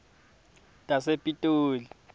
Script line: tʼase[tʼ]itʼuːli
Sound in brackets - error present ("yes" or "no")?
yes